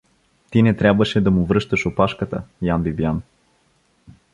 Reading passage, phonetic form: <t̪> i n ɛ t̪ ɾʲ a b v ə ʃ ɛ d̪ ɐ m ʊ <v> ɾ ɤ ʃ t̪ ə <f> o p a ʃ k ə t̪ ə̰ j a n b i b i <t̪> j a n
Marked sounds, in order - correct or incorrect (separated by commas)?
correct, correct, incorrect, incorrect